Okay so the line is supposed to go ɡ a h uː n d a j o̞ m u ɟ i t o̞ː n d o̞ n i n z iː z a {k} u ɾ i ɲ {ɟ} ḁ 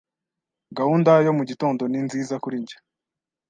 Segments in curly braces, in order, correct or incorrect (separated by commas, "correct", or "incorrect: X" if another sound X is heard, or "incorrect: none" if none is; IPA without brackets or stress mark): correct, correct